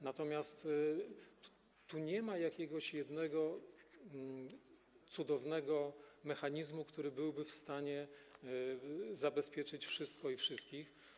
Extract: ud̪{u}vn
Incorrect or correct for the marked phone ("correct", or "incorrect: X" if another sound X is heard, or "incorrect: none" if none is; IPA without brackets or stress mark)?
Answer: incorrect: ɔ